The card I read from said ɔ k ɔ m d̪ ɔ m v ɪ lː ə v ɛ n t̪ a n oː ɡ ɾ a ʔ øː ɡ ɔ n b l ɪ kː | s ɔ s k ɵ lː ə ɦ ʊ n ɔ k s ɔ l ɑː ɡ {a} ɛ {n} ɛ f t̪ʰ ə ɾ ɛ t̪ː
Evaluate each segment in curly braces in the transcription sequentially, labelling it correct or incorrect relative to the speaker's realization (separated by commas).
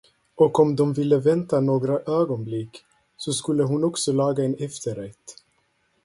correct, correct